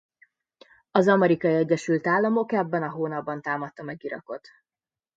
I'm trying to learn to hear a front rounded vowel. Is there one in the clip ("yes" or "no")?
yes